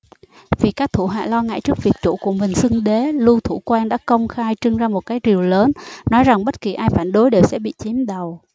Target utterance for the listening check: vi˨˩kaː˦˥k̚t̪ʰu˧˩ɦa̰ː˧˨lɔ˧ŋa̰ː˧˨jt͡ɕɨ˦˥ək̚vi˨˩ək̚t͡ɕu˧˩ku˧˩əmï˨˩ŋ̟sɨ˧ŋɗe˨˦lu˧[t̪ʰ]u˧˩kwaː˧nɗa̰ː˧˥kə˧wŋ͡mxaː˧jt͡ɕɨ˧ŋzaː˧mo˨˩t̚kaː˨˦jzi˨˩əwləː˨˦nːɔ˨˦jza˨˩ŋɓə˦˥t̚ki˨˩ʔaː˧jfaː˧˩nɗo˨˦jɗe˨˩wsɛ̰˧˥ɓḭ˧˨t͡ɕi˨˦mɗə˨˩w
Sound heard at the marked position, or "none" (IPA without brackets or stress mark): t̪ʰ